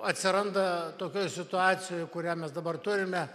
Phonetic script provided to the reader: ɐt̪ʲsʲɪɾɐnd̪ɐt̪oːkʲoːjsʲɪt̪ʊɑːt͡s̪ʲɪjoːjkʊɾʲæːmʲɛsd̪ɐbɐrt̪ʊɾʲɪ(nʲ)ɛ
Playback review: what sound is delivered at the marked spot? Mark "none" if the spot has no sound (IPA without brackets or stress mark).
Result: mʲ